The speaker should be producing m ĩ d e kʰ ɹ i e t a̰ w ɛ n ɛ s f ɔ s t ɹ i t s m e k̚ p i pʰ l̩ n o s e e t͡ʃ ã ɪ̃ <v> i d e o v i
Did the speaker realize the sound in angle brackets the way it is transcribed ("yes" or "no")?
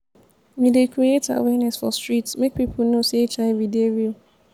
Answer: yes